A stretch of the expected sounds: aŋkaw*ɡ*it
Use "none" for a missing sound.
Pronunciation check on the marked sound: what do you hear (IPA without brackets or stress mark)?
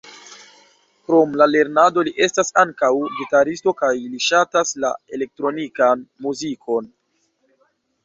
ɡ